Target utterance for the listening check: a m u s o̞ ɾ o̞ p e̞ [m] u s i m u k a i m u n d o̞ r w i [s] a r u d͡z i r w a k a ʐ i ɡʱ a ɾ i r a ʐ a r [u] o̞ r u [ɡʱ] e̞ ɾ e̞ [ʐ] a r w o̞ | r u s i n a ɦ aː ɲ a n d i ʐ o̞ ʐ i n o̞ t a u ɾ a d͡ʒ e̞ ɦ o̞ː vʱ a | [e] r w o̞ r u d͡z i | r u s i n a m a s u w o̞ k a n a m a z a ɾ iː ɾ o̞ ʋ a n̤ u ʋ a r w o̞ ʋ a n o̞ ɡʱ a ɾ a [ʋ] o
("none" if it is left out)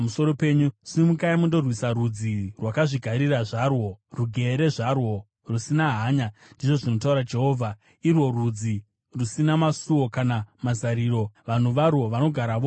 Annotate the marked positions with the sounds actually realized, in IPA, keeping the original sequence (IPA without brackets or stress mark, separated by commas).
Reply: ɲ, s, w, ɡʱ, ʐ, i, ʋ